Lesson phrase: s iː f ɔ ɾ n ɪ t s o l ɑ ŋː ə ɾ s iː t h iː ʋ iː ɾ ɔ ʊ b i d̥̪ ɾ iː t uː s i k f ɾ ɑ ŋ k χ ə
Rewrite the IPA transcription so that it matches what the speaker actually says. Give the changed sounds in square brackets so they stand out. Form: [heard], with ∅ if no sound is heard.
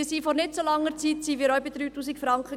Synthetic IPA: s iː f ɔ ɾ n ɪ t s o l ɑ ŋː ə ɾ [t͡s] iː t [s] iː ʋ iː ɾ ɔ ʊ b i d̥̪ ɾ [yː] t uː s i k f ɾ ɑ ŋ k χ ə